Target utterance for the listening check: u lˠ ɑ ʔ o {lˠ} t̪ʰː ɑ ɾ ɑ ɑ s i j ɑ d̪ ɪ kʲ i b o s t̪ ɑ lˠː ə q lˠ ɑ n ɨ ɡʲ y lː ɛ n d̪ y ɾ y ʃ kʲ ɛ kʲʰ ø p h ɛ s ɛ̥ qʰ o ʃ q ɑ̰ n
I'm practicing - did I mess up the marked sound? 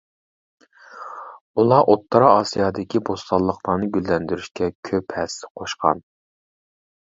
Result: yes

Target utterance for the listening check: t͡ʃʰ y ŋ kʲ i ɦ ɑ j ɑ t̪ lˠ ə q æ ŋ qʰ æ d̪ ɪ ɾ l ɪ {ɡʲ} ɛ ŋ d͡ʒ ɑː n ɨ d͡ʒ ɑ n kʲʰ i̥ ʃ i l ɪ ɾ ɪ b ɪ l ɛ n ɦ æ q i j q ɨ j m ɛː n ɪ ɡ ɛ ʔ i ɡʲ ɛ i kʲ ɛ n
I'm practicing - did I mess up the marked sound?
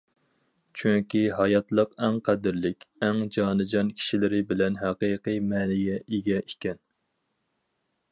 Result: yes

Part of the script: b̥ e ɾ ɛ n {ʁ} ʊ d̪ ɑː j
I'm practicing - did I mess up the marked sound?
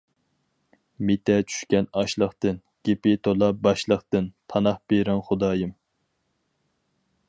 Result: yes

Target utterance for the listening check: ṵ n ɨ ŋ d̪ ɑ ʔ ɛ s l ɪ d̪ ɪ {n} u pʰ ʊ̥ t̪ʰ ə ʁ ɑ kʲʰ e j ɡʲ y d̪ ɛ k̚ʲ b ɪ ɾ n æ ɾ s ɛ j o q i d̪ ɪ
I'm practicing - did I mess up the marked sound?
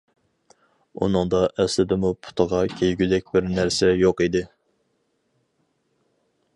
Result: yes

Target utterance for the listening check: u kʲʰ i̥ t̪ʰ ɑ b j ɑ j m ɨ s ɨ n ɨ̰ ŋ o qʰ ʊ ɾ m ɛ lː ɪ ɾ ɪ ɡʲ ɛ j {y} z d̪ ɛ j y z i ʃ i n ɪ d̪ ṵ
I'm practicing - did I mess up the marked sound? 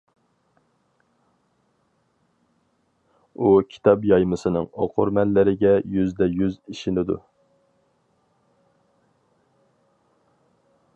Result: no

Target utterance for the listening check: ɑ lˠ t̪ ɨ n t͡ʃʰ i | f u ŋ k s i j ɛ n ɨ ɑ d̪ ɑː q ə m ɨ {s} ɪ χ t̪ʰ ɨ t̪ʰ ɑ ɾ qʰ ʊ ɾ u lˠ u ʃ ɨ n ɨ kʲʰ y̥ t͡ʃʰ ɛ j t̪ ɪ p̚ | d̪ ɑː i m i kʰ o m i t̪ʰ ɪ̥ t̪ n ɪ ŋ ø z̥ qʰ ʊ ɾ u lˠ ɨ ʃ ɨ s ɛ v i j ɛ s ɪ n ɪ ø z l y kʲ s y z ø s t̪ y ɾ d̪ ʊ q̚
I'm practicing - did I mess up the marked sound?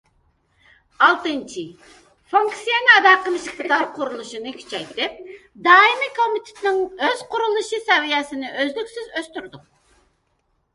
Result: yes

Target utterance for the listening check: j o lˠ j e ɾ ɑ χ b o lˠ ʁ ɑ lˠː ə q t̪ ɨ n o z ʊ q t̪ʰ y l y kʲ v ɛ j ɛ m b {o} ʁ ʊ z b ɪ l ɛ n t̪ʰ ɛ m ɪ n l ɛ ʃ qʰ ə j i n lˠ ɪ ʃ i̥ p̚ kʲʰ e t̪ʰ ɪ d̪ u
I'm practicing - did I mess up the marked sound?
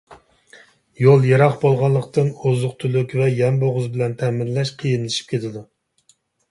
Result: no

